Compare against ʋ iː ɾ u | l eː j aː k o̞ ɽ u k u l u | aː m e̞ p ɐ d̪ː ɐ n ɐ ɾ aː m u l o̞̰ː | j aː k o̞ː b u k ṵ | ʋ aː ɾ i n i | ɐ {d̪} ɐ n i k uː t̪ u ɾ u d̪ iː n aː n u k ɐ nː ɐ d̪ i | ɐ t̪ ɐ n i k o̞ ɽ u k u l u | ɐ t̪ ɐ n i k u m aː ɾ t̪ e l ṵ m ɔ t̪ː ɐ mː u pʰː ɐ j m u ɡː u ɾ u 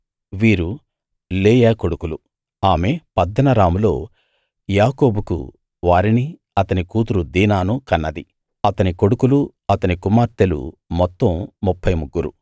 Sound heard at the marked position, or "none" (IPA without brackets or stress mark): t̪